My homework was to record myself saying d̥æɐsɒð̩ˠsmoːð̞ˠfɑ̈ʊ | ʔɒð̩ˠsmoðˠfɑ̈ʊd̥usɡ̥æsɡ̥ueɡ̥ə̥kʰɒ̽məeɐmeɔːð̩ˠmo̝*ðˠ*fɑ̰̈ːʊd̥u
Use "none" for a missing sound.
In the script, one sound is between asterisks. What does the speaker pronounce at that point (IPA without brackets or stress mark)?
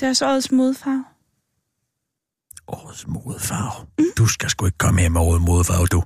ðˠ